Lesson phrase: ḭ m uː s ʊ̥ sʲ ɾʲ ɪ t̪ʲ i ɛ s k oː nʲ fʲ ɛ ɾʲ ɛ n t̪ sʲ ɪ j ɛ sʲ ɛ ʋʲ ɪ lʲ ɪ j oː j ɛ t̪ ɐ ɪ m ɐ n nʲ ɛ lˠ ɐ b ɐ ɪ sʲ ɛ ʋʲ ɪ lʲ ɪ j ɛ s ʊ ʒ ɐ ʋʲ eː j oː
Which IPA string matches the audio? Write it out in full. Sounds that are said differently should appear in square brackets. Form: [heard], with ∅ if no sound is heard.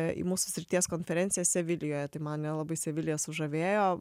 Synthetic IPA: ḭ m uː s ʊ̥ sʲ ɾʲ ɪ t̪ʲ i ɛ s k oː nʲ fʲ ɛ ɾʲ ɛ n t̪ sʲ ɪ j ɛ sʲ ɛ ʋʲ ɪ lʲ ɪ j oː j ɛ t̪ ɐ ɪ m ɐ n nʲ ɛ lˠ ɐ b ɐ ɪ sʲ ɛ ʋʲ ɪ lʲ ɪ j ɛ s ʊ ʒ ɐ ʋʲ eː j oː